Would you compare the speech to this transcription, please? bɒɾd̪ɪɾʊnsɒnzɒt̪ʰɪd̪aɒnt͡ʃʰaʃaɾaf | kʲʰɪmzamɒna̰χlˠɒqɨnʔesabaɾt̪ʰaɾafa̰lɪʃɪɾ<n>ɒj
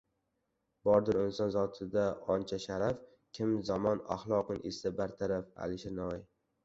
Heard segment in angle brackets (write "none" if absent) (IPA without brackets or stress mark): n